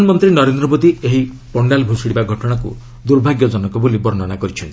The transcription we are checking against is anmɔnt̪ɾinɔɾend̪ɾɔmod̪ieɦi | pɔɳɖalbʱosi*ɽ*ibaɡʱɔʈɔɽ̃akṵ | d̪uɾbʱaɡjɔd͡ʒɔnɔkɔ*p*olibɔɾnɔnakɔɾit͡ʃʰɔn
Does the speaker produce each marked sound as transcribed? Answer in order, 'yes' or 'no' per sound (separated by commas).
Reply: yes, no